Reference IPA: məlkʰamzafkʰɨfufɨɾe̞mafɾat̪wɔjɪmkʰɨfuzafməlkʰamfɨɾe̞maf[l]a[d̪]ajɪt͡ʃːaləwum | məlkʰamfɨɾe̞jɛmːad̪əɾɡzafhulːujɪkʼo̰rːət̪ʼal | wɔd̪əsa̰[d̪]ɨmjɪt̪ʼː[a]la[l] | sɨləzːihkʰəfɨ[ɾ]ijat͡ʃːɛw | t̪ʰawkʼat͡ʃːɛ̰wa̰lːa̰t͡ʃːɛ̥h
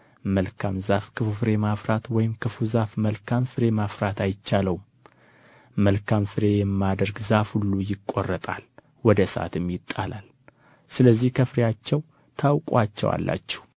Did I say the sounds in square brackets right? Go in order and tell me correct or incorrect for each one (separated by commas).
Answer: incorrect, incorrect, incorrect, correct, correct, correct